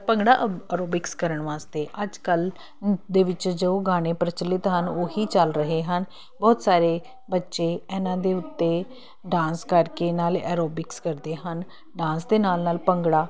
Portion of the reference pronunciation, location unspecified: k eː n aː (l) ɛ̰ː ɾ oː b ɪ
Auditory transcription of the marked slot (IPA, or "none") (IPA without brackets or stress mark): l